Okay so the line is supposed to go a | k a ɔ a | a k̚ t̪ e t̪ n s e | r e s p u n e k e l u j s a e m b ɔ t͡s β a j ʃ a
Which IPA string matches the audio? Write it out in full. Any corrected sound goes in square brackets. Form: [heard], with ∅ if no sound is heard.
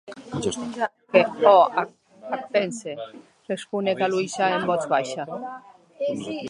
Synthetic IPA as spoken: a | k [e] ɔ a | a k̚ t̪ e [∅] n s e | r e s p u n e k [a] l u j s a e m b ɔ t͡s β a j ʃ a